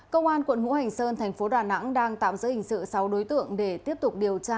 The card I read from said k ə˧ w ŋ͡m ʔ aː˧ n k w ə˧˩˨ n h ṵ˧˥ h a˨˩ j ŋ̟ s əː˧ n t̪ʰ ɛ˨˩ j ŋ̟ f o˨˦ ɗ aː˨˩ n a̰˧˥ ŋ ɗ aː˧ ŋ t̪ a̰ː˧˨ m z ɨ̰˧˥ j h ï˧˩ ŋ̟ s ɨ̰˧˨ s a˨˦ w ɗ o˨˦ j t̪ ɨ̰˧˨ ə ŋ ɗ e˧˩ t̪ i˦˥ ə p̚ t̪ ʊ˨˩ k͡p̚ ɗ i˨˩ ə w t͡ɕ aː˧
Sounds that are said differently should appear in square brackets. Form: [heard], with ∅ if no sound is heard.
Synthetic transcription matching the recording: k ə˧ w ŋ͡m ʔ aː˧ n k w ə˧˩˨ n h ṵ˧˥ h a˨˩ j ŋ̟ s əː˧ n t̪ʰ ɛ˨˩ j ŋ̟ f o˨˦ ɗ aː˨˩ n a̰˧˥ ŋ ɗ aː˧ ŋ t̪ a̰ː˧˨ m z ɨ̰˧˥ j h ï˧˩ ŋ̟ s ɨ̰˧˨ s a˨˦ w ɗ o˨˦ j t̪ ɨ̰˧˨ ə ŋ ɗ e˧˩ t̪ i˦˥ ə p̚ t̪ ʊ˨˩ k͡p̚ ɗ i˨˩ ə w t͡ɕ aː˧